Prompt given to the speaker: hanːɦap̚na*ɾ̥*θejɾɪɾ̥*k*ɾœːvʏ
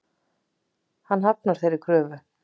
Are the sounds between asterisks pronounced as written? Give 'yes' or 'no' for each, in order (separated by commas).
yes, no